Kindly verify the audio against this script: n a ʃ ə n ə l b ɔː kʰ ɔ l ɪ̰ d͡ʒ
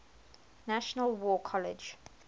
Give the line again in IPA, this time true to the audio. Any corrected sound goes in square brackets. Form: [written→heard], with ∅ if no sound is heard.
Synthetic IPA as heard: n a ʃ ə n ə l [b→w] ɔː kʰ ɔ l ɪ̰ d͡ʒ